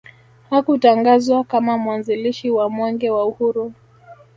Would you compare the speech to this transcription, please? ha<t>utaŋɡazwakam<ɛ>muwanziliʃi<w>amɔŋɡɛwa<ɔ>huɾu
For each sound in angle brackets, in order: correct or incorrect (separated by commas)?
incorrect, incorrect, correct, incorrect